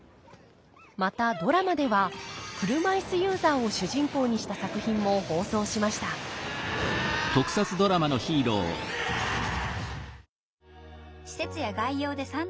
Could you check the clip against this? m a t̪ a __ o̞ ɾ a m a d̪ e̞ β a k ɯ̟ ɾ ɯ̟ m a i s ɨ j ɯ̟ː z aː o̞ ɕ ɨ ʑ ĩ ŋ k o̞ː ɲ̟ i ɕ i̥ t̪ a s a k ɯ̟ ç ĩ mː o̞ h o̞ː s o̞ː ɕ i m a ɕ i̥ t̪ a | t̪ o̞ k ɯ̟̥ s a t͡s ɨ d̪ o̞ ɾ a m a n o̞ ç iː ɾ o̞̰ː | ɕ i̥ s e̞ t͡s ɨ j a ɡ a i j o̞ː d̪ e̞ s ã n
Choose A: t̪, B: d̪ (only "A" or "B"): B